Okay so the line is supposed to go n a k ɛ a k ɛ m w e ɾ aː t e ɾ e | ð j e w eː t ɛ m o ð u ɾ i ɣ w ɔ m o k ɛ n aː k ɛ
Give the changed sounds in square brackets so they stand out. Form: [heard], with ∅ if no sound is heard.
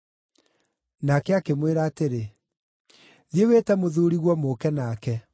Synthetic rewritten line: n a k ɛ a k [e] m w e ɾ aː t e ɾ e | ð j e w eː t ɛ m o ð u ɾ i ɣ w ɔ m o k ɛ n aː k ɛ

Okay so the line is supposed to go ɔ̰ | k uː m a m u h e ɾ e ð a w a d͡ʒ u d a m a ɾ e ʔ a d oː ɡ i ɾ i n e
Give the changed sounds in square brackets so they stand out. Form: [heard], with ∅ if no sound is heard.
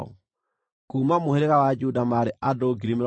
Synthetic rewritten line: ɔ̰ | k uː m a m [o] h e ɾ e [ɣ] a w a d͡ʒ u d a m a ɾ e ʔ a d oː ɡ i ɾ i [m] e

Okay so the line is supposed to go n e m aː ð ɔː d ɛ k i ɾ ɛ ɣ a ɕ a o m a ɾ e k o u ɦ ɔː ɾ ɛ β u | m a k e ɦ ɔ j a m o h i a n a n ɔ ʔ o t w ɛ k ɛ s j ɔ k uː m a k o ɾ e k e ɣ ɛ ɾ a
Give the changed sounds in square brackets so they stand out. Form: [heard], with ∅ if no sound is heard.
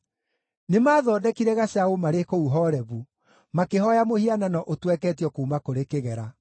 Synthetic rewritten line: n e m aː ð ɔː d ɛ k i ɾ ɛ ɣ a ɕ a o m a ɾ e k o u ɦ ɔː ɾ ɛ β u | m a k e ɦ ɔ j a m o h i a n a n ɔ ʔ o t w ɛ k ɛ [t] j ɔ k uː m a k o ɾ e k e ɣ ɛ ɾ a

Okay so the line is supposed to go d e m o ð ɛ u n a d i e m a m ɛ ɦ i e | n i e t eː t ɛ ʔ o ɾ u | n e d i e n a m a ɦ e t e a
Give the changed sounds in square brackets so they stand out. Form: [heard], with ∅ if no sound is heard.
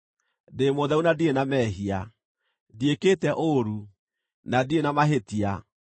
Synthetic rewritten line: d e m o ð ɛ u n a d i e [n] a m ɛ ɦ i [a] | [d] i e [k] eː t ɛ ʔ o ɾ u | n [a] d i e n a m a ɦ e t [i] a

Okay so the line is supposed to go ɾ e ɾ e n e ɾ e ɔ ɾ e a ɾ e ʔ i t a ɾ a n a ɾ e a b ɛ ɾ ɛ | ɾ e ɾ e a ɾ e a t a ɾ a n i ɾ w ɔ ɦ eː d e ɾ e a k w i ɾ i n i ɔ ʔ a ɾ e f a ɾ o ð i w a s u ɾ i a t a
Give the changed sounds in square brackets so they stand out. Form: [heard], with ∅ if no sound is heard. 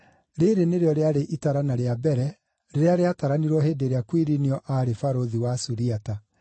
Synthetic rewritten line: ɾ e ɾ e n e ɾ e ɔ ɾ e a ɾ e ʔ i t a ɾ a n a ɾ e a b ɛ ɾ ɛ | ɾ e ɾ e a ɾ e a t a ɾ a n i ɾ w ɔ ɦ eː d e ɾ e a k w i ɾ i n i ɔ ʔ a ɾ e f a ɾ o ð i w a s u ɾ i a t a

